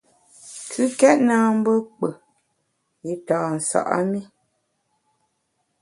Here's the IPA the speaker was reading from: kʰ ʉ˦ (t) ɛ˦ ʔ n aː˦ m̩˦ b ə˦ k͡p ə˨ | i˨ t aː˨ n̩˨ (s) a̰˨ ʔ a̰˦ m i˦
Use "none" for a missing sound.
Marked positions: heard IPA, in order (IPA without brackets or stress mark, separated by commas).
k, s